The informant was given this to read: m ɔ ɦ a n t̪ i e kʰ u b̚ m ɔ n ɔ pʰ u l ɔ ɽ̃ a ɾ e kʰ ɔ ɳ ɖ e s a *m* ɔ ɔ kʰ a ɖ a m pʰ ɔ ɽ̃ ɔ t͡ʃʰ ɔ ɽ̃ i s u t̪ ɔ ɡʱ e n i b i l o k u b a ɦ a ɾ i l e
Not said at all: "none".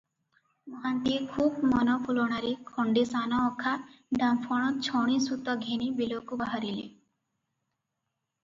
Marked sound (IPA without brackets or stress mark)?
n